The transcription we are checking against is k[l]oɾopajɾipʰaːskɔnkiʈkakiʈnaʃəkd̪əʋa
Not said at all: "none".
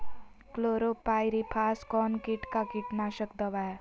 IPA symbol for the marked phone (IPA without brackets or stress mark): l